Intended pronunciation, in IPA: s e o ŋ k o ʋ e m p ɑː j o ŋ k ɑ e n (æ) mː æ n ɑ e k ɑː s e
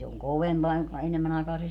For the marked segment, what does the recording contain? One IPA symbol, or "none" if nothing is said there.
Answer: e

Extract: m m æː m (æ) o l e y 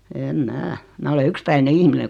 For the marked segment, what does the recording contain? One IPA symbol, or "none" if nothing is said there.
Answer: æː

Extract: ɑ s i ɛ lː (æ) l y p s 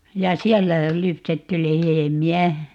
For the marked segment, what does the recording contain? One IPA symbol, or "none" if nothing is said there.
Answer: æ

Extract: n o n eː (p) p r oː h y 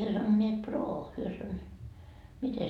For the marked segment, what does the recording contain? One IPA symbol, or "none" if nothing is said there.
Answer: t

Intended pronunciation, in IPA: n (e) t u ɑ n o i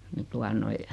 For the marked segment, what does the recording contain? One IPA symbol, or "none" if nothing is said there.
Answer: i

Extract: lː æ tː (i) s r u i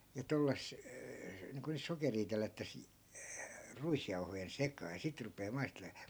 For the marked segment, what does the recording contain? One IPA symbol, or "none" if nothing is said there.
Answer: æ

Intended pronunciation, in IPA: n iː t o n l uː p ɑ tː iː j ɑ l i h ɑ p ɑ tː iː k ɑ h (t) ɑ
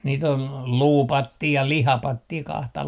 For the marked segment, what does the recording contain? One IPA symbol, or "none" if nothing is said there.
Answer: t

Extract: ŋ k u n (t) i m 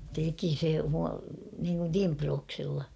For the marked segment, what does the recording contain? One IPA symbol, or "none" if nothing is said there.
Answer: t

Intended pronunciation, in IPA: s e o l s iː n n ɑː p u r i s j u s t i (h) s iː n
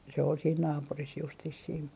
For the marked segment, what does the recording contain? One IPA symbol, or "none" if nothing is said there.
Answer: s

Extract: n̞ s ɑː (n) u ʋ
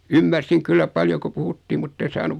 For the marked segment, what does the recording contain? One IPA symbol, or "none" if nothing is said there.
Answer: n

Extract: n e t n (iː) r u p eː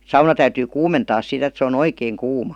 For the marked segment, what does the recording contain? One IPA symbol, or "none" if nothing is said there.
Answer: eː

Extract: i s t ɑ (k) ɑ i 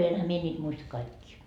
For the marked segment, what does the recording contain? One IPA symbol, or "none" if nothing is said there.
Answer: k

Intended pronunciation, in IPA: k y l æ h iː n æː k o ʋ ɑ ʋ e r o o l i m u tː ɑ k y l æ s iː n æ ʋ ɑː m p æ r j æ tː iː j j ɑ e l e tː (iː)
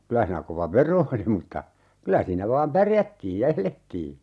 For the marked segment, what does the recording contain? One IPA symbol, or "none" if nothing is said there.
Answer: iː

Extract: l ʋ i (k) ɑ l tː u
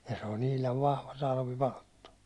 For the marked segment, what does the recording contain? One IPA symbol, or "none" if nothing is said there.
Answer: p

